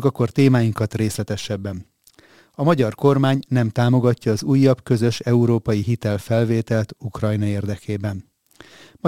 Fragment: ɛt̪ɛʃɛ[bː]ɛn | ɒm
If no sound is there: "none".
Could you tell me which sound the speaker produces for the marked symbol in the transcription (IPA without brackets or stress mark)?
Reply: bː